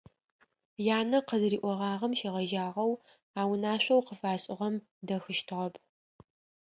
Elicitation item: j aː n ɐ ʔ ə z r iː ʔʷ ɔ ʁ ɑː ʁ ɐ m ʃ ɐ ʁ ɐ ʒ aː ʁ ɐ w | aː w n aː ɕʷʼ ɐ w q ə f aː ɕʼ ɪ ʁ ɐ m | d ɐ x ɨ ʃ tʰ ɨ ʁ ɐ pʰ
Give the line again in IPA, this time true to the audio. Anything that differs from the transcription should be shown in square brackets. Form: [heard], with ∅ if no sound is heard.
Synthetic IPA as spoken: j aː n ɐ [q] ə z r iː ʔʷ ɔ ʁ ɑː ʁ ɐ m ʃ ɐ ʁ ɐ ʒ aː ʁ ɐ w | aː w n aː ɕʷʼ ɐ w q ə f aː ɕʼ ɪ ʁ ɐ m | d ɐ x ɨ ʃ tʰ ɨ ʁ ɐ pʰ